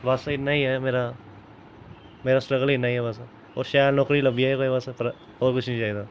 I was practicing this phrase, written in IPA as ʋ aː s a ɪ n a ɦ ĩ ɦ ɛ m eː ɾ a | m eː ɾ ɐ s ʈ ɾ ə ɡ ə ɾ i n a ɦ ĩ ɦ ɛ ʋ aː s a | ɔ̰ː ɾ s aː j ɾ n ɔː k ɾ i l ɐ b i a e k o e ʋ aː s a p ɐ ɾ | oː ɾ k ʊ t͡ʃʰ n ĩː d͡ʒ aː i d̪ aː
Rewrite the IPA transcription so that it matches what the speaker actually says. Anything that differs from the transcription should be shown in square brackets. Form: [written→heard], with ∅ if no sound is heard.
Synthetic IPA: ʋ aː s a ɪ n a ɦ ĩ ɦ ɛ m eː ɾ a | m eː ɾ [ɐ→a] s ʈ ɾ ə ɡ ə [ɾ→l] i n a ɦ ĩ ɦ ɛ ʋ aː s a | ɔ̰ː ɾ [s→ʃ] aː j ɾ n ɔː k ɾ i l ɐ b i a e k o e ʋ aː s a p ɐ ɾ | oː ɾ k ʊ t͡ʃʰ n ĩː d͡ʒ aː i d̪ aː